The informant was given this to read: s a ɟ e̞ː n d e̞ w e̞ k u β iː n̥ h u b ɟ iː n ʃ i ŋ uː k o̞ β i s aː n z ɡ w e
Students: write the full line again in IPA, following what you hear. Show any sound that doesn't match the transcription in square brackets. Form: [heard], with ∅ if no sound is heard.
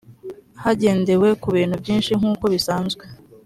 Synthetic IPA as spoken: [h] a ɟ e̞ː n d e̞ w e̞ k u β iː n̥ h u b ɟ iː n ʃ i ŋ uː k o̞ β i s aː n z ɡ w e